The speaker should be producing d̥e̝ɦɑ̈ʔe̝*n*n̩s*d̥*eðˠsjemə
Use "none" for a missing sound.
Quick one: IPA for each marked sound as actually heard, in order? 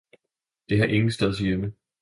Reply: ŋ, d̥

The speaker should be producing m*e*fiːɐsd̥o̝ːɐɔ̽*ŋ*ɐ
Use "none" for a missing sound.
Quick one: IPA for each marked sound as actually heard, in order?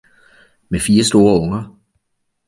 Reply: e, ŋ

